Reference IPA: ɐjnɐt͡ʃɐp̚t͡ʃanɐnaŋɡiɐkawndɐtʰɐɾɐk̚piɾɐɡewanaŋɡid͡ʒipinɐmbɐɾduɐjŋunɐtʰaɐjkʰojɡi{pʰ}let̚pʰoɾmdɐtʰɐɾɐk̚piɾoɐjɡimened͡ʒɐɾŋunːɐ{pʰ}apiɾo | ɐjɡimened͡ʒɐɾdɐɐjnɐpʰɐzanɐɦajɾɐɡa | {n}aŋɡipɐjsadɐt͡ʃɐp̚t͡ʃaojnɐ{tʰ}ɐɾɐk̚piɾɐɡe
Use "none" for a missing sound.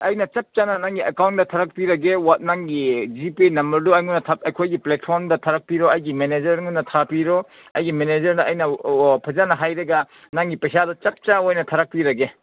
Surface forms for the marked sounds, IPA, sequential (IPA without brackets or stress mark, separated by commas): p, tʰ, n, tʰ